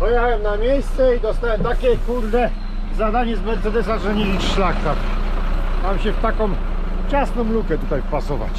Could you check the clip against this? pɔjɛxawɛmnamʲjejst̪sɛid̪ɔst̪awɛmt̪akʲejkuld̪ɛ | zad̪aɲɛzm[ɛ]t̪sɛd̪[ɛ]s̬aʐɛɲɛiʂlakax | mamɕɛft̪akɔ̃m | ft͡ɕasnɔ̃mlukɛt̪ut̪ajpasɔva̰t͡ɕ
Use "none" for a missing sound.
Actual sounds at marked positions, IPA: ɛ, ɛ

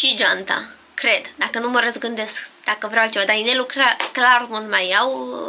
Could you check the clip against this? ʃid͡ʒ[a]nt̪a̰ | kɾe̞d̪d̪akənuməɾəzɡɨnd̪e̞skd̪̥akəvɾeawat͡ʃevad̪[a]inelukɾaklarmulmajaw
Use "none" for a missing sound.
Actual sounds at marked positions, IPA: a, a

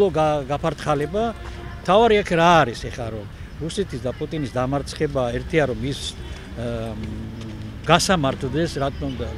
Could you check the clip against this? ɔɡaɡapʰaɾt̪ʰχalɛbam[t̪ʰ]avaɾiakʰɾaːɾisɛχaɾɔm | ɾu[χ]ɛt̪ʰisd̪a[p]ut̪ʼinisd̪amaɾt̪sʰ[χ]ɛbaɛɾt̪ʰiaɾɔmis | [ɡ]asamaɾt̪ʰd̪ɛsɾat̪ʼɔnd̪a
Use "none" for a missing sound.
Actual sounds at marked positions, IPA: t̪ʰ, s, pʼ, χ, ɡ

